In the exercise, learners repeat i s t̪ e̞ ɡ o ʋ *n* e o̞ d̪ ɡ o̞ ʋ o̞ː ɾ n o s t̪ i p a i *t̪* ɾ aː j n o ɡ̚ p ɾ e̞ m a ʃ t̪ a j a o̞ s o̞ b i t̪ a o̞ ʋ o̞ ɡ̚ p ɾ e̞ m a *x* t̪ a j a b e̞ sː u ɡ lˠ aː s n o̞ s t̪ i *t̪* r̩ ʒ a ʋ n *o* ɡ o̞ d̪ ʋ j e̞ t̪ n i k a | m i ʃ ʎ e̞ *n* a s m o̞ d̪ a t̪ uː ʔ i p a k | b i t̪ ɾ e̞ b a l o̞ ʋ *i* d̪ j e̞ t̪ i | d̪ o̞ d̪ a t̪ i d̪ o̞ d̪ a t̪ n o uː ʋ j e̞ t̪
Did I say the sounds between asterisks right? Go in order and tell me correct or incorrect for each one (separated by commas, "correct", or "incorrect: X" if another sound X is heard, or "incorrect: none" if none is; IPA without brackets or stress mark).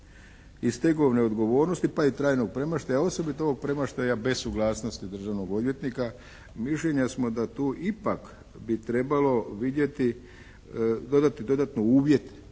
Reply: correct, correct, incorrect: ʃ, incorrect: d̪, correct, incorrect: ɲ, correct